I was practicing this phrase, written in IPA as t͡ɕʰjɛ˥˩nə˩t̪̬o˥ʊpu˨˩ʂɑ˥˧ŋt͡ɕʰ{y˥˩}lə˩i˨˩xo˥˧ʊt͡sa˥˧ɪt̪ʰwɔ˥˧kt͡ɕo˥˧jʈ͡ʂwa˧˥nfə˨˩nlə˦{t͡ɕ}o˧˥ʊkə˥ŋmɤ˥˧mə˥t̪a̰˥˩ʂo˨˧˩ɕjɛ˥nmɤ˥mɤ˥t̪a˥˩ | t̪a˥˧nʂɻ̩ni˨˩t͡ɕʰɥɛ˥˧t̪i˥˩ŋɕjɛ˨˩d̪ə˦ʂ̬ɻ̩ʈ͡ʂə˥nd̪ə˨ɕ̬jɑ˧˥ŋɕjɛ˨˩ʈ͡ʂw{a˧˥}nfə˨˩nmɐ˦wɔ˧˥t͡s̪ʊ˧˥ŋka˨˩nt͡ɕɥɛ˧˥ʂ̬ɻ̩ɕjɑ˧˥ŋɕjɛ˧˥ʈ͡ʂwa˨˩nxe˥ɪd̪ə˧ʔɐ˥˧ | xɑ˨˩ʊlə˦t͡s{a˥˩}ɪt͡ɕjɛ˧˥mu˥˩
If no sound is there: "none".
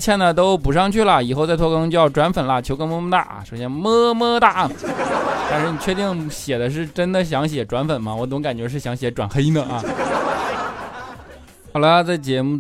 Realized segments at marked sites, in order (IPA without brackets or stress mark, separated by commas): y˥˩, t͡ɕʰ, a˧˥, a˥˩